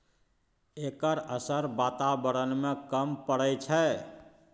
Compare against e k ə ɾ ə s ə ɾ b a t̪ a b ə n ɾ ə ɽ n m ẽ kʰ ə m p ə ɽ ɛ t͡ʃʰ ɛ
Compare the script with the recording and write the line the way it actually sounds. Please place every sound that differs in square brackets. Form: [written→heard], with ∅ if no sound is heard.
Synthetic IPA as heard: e k ə ɾ ə s ə ɾ b a t̪ a b ə [n→∅] ɾ ə [ɽ→∅] n m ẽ [kʰ→k] ə m p ə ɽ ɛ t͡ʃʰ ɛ